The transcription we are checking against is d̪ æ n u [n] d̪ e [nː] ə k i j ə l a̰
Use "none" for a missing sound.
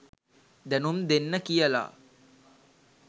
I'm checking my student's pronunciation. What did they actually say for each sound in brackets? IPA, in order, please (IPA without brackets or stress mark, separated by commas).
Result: m, nː